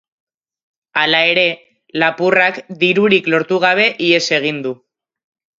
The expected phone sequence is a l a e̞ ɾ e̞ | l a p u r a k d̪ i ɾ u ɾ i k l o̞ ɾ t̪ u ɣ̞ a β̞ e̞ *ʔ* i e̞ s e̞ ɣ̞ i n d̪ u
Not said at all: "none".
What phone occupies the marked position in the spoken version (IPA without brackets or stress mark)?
ʔ